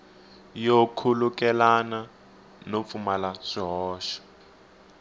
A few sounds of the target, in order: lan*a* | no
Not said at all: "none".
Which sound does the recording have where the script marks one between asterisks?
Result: a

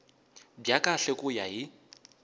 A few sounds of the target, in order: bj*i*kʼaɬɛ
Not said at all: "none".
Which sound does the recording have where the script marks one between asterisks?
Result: a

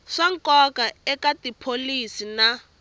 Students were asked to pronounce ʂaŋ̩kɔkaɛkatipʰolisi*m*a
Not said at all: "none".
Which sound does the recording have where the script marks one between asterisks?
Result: n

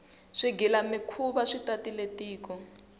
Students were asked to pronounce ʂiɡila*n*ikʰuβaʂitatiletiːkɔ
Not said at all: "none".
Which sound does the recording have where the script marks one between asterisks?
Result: m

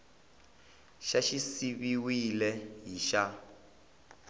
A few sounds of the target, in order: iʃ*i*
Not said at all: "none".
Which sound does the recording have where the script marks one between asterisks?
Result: a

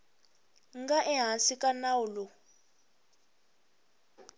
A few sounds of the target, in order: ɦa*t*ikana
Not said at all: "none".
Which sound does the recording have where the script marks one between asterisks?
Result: s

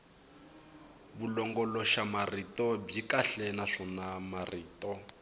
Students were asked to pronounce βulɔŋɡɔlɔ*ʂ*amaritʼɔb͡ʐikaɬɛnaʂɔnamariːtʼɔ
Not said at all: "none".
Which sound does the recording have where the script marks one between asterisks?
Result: ʃ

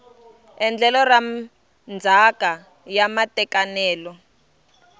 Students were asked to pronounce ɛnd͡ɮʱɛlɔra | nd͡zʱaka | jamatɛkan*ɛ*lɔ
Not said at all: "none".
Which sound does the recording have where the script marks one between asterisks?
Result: ɛː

